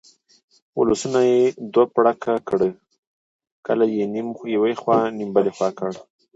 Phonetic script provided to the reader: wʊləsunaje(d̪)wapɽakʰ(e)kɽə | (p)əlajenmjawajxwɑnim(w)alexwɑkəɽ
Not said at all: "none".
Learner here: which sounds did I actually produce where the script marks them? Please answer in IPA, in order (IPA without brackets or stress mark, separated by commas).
d̪, a, k, b